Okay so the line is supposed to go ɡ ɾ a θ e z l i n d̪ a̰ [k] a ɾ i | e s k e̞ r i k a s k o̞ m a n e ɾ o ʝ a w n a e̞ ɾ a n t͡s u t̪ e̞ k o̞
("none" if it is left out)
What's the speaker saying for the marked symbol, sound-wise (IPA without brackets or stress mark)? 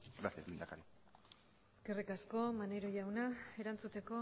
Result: k